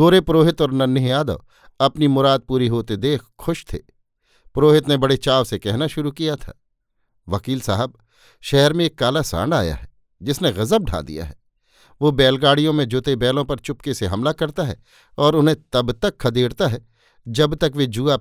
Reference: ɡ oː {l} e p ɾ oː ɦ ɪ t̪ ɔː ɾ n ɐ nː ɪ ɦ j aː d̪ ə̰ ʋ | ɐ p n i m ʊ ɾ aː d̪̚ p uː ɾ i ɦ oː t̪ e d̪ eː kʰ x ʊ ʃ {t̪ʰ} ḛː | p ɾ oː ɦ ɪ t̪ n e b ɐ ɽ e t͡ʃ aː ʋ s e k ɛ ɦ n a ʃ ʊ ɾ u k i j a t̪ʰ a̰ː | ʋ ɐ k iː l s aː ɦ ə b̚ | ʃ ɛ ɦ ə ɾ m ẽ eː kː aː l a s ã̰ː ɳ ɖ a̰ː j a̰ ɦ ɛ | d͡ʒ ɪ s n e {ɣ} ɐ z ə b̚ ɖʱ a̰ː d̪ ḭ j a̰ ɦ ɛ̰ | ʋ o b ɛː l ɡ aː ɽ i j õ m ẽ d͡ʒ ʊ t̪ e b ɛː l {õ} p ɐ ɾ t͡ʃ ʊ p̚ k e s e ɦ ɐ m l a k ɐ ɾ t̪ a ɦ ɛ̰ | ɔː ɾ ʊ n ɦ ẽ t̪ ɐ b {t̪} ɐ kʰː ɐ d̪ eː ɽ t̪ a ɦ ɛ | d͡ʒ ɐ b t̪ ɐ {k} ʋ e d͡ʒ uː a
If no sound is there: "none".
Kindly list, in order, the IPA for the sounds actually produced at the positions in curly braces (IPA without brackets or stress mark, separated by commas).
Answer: ɾ, t̪ʰ, ɣ, õ, t̪, k